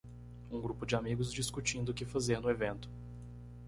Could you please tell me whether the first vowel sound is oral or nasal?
nasal